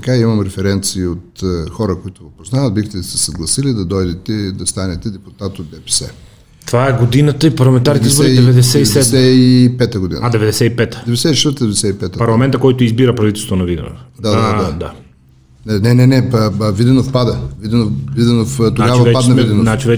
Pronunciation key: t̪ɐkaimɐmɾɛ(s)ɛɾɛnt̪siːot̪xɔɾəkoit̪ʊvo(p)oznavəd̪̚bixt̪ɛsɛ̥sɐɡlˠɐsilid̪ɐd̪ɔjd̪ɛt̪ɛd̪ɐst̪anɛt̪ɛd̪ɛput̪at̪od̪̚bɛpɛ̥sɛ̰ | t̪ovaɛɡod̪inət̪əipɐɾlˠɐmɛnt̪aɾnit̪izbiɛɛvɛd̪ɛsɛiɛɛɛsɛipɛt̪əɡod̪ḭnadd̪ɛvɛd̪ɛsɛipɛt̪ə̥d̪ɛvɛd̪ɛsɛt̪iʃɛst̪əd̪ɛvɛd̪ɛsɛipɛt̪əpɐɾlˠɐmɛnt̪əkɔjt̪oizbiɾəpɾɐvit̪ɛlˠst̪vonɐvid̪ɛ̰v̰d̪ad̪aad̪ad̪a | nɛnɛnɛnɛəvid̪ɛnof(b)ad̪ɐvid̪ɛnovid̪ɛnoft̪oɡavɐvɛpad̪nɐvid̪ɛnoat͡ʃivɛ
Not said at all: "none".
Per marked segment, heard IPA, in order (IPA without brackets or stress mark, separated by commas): f, p, p